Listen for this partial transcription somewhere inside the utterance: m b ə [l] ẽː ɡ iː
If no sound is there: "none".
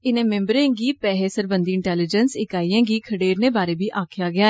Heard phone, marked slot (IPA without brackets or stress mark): ɾ